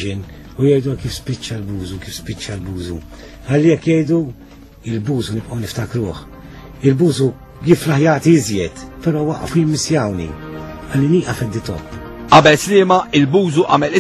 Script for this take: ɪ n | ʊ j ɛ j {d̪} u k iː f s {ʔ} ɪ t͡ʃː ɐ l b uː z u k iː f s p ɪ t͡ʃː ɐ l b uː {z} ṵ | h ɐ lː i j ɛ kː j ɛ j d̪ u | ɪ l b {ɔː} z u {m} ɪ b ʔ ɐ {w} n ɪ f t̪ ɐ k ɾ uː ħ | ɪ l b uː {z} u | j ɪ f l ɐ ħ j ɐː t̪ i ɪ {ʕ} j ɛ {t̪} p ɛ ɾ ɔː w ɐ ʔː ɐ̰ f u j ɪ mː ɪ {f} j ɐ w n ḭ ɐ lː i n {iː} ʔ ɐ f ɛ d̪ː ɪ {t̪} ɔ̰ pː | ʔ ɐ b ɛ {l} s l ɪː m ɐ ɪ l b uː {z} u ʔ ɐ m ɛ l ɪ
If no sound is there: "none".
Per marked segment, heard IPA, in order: d̪, p, z, uː, n, w, z, z, t̪, s, iː, t̪, l, z

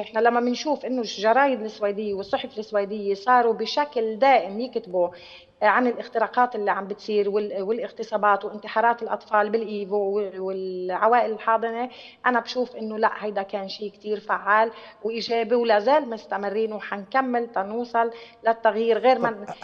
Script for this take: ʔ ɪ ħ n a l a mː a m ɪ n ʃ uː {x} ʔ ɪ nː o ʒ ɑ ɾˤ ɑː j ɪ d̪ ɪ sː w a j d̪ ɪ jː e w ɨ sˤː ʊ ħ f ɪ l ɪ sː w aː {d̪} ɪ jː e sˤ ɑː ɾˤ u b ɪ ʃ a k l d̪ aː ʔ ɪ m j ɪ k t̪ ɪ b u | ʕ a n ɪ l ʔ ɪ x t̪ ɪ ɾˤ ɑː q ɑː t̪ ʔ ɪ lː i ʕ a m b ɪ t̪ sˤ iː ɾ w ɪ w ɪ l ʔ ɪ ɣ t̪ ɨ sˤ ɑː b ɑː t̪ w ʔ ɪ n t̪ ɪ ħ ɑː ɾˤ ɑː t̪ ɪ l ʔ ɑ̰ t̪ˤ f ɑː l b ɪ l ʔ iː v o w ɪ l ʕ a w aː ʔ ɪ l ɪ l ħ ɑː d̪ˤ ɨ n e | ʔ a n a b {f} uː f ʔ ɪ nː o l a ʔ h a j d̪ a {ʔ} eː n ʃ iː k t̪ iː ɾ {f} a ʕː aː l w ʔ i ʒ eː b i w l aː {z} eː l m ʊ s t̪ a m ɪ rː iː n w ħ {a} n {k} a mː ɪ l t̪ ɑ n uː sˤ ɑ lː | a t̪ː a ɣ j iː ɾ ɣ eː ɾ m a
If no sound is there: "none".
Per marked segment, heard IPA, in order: f, d̪, ʃ, k, f, z, a, k

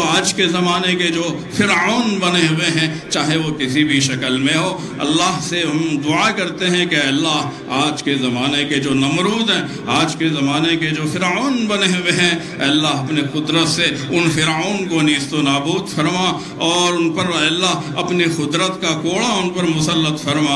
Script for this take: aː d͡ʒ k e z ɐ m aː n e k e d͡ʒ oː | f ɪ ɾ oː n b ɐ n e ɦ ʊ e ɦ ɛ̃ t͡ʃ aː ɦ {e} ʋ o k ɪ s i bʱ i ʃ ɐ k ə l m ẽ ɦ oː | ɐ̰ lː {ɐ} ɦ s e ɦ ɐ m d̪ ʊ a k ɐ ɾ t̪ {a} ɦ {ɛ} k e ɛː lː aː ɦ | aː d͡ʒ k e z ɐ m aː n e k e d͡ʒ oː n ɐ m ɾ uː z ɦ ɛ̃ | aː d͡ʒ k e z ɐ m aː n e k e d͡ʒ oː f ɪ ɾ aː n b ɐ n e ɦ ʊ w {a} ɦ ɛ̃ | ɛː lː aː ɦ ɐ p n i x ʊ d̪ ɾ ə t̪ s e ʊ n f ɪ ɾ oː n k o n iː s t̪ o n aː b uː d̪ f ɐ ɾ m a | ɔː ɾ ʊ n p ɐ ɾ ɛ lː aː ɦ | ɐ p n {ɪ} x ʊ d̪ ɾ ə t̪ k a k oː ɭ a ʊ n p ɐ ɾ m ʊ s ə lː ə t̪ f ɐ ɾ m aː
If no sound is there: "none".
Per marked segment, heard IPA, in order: e, a, e, ɛ̃, e, i

